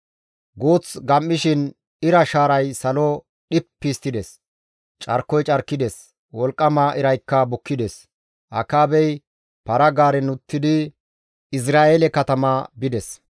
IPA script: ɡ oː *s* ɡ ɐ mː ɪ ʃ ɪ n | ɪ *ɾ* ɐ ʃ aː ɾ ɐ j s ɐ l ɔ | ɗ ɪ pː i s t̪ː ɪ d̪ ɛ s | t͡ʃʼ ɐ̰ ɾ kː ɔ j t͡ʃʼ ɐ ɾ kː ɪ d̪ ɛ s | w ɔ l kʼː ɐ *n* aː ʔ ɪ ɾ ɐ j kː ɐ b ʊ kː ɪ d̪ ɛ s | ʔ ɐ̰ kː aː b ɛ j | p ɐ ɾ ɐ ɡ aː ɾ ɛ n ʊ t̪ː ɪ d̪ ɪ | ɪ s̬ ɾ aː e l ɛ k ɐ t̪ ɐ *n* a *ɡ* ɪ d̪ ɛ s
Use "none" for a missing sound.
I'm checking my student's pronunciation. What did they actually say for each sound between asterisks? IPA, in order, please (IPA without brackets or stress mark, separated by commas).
t͡s, ɾ, m, m, b